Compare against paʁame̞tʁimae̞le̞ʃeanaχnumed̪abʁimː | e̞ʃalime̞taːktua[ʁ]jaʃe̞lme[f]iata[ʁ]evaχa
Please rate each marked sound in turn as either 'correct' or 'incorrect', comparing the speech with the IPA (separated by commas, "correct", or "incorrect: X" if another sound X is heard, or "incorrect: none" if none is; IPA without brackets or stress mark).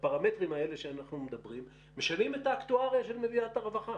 correct, incorrect: v, correct